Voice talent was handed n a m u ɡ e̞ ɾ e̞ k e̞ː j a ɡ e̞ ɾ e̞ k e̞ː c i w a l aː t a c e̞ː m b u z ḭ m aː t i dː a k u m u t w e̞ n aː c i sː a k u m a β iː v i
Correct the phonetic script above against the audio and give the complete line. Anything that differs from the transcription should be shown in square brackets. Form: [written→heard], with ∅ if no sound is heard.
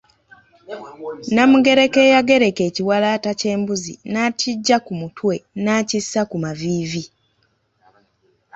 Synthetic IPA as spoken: n a m u ɡ e̞ ɾ e̞ k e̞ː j a ɡ e̞ ɾ e̞ k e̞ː c i w a l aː t a c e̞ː m b u z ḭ [m→n] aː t i [dː→ɟː] a k u m u t w e̞ n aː c i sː a k u m a [β→v] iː v i